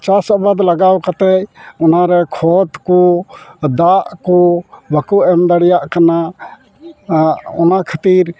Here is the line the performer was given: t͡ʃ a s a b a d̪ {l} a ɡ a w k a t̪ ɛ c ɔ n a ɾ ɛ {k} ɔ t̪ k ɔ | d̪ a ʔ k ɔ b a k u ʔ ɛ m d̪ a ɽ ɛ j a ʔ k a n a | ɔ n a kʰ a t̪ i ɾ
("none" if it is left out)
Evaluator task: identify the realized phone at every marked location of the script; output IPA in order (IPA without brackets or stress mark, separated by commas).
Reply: l, kʰ